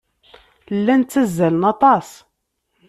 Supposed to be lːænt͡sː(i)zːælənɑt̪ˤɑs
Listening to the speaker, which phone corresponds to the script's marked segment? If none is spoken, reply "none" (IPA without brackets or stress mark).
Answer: æ